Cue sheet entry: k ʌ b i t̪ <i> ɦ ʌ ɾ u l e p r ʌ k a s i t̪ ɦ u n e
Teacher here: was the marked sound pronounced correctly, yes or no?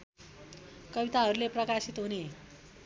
no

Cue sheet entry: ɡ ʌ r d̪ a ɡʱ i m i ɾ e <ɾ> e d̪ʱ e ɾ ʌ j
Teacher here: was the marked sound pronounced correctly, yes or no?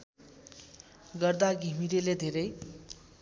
no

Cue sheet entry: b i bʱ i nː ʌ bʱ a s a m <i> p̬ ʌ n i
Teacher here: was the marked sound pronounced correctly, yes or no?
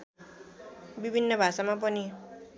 no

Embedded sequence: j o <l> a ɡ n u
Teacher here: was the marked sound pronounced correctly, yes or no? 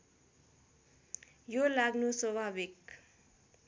yes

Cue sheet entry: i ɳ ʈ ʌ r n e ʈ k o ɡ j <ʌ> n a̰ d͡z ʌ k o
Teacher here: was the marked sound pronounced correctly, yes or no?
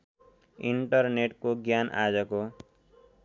no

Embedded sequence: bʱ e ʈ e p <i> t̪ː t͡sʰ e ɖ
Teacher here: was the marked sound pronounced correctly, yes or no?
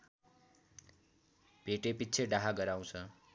yes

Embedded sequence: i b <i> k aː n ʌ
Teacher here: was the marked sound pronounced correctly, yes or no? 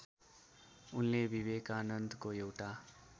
no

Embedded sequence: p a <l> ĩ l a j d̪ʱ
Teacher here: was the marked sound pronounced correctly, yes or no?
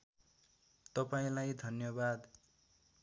no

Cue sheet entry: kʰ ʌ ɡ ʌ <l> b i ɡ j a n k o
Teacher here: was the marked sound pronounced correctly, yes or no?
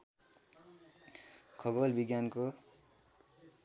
yes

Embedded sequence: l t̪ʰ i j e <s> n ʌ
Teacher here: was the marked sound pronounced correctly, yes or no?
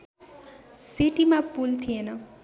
no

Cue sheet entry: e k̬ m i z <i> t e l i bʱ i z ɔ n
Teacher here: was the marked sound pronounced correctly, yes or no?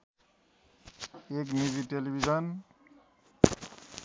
yes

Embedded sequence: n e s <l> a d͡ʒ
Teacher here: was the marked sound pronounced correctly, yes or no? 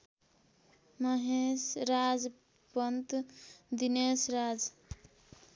no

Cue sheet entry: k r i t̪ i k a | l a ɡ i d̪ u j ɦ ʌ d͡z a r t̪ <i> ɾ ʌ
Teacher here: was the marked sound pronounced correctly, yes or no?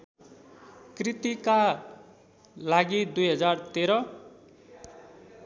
no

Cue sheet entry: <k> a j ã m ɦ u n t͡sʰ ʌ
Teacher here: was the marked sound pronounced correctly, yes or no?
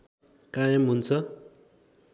yes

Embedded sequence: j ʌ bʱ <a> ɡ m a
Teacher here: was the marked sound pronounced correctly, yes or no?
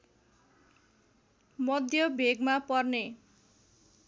no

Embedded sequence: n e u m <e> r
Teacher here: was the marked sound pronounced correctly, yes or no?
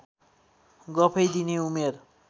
yes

